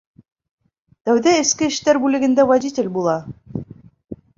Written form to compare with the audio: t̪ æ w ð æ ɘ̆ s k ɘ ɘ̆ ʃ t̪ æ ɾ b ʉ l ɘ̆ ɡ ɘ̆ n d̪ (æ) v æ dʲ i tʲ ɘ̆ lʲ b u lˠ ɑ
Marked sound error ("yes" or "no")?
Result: no